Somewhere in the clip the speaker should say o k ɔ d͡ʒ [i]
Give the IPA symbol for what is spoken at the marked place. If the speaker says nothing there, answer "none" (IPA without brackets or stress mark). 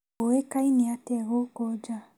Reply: a